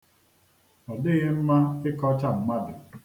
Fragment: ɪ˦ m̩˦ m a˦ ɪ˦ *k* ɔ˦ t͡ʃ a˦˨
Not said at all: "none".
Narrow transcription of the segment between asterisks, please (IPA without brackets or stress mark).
k